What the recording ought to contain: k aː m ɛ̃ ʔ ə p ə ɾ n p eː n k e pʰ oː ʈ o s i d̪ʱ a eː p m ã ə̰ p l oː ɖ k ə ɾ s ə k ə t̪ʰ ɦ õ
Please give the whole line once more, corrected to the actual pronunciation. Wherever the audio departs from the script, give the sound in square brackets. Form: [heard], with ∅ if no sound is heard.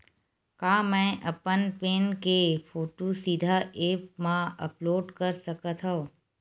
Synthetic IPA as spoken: k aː m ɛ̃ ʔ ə p ə [∅] n p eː n k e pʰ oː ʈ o s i d̪ʱ a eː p m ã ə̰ p l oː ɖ k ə ɾ s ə k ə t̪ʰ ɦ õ